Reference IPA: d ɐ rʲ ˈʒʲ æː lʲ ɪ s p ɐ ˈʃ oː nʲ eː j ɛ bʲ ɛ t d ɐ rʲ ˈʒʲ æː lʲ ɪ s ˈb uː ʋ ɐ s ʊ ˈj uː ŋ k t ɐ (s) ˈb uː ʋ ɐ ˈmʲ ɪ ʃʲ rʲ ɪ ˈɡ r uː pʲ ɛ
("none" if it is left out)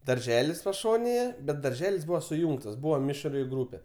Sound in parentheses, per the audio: s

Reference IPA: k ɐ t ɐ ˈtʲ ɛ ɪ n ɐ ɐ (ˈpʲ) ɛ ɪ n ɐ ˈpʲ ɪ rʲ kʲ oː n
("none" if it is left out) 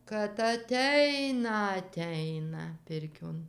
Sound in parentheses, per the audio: tʲ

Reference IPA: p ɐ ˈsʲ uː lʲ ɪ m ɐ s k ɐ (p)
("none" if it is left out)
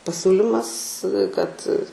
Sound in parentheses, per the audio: t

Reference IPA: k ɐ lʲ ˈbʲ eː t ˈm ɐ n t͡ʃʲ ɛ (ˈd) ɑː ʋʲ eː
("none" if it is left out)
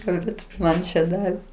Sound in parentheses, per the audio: d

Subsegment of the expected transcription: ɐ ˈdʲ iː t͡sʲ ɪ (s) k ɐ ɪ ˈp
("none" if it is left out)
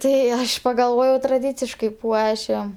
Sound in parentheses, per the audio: ʃ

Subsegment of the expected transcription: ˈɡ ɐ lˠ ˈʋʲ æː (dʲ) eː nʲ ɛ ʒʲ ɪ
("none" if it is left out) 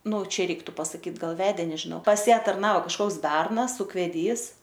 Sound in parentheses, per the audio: dʲ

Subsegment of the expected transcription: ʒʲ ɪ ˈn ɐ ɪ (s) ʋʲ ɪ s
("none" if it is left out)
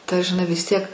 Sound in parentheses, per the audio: none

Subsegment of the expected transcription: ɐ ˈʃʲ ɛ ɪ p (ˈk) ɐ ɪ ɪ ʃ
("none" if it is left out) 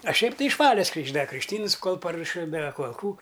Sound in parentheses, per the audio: t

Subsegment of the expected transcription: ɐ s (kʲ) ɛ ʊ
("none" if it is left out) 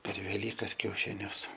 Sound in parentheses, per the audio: kʲ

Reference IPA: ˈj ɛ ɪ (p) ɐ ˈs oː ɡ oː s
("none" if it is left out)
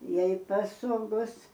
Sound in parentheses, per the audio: p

